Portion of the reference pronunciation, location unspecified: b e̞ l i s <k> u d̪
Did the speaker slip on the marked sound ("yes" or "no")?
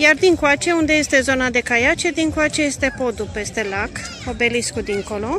no